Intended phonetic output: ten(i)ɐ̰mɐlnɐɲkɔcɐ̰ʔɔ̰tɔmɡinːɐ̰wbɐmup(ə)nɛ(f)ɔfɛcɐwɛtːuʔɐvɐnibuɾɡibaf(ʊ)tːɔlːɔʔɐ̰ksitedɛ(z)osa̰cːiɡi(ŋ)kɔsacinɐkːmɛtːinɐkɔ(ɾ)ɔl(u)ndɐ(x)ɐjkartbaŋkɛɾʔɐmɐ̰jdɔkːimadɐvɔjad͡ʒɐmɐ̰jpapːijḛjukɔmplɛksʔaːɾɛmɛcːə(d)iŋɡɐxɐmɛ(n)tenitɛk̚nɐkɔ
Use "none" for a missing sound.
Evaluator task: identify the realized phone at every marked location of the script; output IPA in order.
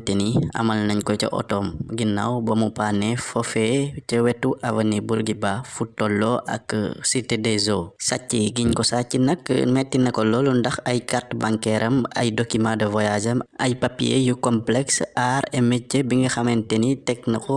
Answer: i, a, f, u, z, ɲ, l, u, x, b, n

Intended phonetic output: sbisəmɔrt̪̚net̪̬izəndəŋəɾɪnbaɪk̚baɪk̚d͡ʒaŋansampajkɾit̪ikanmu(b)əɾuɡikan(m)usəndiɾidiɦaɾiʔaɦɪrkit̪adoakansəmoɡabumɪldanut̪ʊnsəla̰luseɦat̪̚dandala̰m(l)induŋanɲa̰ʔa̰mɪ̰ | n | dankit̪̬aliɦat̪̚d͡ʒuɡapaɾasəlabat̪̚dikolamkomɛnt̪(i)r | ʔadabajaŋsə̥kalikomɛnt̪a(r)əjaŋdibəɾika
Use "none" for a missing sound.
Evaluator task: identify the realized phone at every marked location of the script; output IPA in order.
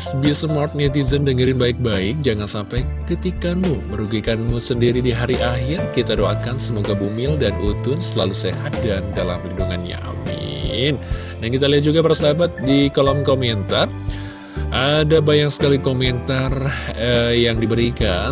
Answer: m, m, l, a, r

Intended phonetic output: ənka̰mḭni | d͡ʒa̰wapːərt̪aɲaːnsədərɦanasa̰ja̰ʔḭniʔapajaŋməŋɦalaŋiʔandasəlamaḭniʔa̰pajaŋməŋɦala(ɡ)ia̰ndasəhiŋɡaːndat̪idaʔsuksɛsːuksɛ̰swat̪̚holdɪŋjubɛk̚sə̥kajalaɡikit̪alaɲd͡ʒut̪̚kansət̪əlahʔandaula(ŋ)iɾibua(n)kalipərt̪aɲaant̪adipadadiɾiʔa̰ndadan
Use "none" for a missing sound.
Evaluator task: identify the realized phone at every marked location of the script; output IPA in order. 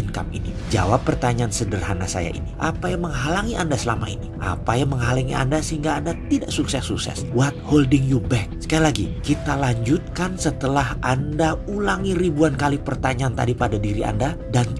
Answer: ŋ, ŋ, n

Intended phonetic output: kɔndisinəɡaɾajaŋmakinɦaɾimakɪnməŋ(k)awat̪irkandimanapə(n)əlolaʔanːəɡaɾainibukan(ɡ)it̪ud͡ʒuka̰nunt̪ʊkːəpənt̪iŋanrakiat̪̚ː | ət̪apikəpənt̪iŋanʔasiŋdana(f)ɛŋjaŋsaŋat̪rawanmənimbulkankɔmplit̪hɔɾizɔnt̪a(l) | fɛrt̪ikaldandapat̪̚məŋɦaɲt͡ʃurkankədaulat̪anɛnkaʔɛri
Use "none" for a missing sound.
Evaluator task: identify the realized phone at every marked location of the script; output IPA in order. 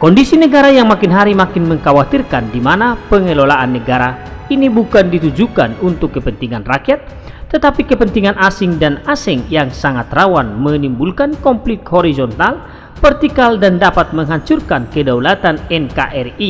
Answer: k, ŋ, d, s, l

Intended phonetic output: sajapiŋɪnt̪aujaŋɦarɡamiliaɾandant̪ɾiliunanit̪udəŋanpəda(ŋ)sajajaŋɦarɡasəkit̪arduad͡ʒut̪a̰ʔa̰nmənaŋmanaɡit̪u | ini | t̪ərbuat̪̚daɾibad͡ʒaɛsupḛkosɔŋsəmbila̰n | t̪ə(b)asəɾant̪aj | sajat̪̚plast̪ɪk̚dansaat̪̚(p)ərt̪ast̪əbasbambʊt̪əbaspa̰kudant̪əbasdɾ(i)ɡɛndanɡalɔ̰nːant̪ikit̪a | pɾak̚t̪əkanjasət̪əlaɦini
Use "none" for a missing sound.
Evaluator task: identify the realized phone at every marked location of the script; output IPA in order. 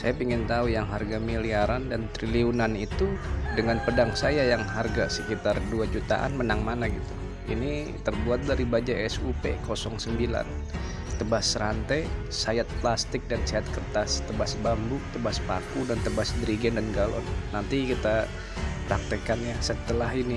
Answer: ŋ, b, k, i

